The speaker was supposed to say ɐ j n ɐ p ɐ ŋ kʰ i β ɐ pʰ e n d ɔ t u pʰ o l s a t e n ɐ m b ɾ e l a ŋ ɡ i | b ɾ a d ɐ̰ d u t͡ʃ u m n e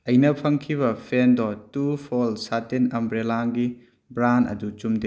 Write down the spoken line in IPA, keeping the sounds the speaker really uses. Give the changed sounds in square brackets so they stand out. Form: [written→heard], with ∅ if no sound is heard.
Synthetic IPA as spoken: ɐ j n ɐ [p→pʰ] ɐ ŋ kʰ i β ɐ pʰ e n d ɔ t u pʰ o l s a t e n ɐ m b ɾ e l a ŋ ɡ i | b ɾ a [d→n] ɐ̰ d u t͡ʃ u m [n→d] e